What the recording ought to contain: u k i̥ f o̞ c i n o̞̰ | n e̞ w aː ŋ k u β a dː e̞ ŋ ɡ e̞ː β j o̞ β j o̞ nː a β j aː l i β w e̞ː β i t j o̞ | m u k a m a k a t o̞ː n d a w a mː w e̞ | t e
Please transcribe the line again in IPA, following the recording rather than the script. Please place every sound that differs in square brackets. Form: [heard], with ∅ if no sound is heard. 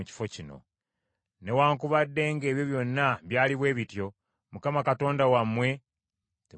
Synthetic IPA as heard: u [c] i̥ f o̞ c i n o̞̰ | n e̞ w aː ŋ k u β a dː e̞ ŋ ɡ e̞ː β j o̞ β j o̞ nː a β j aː l i β w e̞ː β i t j o̞ | m u k a m a k a t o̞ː n d a w a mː w e̞ | t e